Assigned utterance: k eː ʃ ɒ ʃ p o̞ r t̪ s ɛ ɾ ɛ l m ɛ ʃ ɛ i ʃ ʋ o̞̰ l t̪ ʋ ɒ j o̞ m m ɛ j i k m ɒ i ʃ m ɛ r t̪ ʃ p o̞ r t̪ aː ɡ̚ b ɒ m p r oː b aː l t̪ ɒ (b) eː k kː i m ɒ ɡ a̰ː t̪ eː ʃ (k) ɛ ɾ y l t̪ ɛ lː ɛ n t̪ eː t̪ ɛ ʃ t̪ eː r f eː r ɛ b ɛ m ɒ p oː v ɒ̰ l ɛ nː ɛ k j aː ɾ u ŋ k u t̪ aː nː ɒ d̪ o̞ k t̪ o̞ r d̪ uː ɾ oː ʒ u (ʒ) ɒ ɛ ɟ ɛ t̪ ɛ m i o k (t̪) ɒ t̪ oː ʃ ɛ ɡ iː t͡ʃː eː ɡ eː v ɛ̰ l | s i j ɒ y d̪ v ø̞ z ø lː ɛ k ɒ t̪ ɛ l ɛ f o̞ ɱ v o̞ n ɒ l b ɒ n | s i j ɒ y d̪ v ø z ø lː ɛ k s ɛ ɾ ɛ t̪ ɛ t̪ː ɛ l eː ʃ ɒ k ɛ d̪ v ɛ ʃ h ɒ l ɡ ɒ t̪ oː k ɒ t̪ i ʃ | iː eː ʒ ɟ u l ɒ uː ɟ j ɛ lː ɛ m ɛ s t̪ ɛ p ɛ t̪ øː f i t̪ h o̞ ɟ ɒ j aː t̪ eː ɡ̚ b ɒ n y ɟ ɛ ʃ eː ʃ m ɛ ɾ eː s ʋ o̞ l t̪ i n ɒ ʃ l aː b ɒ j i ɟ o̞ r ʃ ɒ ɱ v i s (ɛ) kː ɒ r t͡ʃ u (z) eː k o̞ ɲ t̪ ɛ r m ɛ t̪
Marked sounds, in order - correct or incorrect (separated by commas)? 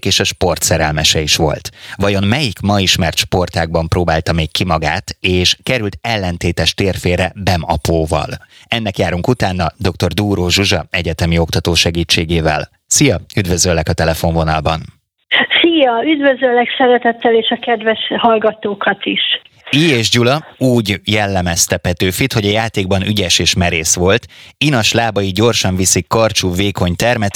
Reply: incorrect, correct, correct, correct, incorrect, incorrect